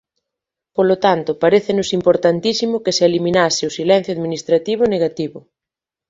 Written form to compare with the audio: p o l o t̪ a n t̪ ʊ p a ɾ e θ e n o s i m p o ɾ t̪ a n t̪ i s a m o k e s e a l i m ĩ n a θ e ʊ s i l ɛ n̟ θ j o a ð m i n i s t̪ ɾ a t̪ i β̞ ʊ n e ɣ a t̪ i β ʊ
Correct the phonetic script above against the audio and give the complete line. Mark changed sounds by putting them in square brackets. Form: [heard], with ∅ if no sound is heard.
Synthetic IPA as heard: p o l o t̪ a n t̪ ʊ p a ɾ e θ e n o s i m p o ɾ t̪ a n t̪ i s [i] m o k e s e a l i m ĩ n a [s] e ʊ s i l ɛ n̟ θ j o a ð m i n i s t̪ ɾ a t̪ i β̞ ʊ n e ɣ a t̪ i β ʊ